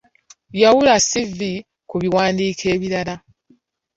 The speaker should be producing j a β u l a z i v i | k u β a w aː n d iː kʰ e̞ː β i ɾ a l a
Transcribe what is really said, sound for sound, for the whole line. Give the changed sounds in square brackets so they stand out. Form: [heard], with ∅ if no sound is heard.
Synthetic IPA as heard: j a [w] u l a [s] i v i | k u β [i] w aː n d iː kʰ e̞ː β i ɾ a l a